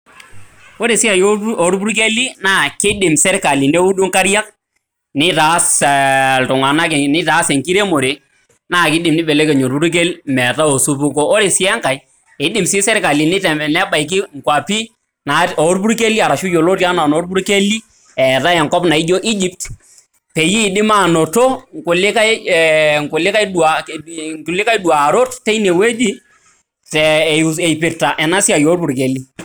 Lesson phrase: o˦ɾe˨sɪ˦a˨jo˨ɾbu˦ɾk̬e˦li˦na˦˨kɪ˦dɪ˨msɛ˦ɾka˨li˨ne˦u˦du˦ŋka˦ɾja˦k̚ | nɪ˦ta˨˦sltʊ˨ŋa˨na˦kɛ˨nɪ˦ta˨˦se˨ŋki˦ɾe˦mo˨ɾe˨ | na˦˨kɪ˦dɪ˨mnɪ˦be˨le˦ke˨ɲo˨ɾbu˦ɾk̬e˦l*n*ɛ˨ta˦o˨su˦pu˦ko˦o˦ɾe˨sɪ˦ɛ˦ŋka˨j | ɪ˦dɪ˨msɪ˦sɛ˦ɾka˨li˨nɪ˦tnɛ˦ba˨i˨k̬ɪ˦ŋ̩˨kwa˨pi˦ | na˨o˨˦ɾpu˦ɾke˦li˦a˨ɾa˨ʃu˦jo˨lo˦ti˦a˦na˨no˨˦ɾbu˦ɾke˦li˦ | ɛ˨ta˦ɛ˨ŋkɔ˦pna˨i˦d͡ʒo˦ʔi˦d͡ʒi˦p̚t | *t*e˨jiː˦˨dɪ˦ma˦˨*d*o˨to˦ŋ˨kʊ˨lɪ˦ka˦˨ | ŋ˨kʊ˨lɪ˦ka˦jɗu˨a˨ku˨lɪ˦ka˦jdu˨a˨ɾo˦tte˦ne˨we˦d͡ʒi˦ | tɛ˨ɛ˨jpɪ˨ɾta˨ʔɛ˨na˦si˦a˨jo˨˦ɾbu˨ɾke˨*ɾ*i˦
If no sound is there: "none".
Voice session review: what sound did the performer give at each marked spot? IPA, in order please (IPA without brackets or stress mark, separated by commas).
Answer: m, p, n, l